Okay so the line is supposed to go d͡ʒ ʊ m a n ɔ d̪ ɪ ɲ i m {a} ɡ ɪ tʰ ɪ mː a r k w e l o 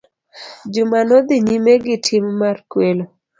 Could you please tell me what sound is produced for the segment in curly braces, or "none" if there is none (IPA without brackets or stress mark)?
e